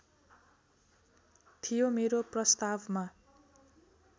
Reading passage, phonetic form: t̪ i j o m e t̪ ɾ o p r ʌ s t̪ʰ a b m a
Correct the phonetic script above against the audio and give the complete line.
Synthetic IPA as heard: t̪ʰ i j o m e ɾ o p r ʌ s t̪ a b m a